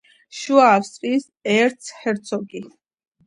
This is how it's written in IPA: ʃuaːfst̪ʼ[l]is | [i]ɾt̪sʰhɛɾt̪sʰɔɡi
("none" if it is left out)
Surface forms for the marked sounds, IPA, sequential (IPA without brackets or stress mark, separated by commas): ɾ, ɛ